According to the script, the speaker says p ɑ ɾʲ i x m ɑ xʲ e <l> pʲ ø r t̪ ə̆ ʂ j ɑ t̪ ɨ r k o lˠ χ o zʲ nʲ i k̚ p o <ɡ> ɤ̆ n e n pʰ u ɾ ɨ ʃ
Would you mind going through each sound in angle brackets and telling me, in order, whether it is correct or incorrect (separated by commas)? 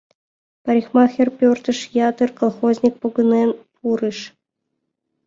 incorrect, correct